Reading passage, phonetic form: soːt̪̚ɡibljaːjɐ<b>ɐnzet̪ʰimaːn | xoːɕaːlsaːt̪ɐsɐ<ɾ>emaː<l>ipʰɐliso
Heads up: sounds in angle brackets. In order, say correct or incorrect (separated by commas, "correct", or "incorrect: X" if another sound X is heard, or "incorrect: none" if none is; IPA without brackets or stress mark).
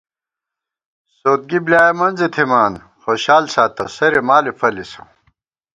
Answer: incorrect: m, correct, correct